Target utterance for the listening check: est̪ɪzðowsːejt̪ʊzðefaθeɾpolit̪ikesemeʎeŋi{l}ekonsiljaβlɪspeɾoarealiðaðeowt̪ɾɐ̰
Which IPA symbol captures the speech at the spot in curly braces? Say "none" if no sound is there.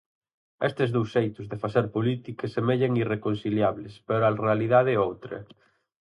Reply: r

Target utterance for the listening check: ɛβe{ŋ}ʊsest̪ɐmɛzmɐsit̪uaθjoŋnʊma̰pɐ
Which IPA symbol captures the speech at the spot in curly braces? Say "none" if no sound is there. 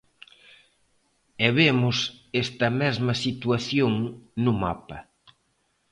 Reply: m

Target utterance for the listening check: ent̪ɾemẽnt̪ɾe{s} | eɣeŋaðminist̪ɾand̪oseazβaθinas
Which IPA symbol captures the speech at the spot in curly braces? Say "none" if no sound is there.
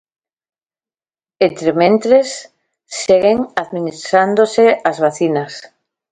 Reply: sː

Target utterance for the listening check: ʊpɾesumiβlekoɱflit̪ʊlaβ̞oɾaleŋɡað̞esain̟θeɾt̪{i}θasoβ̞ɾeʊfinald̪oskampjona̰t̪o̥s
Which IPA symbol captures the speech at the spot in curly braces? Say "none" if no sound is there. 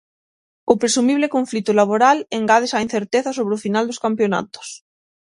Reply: e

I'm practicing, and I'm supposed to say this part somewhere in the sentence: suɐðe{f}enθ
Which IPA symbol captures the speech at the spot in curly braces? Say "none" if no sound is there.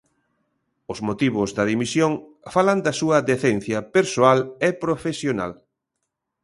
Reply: θ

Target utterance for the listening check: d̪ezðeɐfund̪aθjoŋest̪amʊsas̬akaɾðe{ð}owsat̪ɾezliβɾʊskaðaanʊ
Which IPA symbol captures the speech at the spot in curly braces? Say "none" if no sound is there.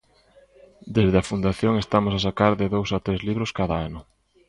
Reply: ð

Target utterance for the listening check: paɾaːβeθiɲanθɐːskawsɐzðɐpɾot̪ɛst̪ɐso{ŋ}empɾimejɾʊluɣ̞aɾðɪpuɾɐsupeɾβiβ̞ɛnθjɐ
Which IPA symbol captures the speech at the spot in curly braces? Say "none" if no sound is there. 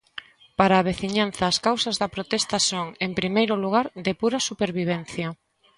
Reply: ŋ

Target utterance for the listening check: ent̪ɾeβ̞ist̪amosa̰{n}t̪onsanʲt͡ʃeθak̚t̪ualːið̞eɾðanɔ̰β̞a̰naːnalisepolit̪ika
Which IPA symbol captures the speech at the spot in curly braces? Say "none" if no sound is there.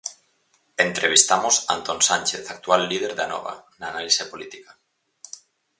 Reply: n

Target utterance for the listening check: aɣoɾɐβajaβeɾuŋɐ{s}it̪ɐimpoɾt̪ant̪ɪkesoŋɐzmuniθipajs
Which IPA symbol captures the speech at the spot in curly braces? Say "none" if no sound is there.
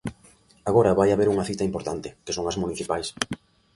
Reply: θ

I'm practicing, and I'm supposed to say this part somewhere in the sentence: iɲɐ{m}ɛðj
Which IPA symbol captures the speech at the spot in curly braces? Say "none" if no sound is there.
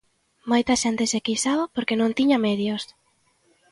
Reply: m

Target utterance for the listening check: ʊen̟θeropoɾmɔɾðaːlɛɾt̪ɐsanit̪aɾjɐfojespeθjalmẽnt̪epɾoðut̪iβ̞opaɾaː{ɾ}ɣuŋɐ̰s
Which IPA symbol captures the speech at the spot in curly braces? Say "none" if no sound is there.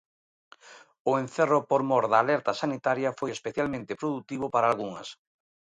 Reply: l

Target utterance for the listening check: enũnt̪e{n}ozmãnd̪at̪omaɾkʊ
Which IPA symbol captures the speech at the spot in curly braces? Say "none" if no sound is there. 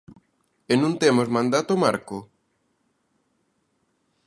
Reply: m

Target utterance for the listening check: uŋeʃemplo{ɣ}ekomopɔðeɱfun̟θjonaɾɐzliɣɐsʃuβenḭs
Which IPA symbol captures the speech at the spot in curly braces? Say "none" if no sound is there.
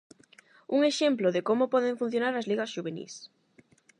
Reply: ð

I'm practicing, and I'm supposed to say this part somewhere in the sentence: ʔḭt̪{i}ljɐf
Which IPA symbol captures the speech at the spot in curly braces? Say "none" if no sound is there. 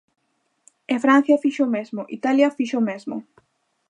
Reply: a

